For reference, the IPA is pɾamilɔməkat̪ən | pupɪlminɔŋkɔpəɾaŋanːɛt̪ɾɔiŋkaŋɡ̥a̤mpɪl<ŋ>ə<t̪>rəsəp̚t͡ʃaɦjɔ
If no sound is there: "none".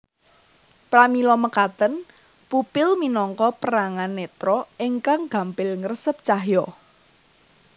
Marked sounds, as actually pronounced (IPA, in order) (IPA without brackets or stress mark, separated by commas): ŋ, none